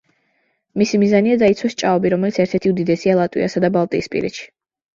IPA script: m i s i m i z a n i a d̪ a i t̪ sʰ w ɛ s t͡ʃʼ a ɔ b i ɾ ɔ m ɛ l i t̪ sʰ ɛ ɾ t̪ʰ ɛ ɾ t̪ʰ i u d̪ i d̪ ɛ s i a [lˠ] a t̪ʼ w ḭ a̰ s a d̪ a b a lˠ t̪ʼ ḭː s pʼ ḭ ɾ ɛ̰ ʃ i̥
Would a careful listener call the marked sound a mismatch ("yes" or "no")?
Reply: no